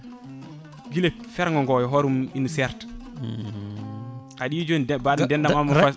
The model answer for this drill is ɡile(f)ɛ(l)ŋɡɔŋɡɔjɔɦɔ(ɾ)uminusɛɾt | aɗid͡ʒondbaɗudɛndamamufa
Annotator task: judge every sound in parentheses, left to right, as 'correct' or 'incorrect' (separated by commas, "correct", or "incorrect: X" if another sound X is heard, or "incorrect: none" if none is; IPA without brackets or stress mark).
correct, incorrect: ɾ, correct